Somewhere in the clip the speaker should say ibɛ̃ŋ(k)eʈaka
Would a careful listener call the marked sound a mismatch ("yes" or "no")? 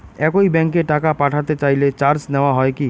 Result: no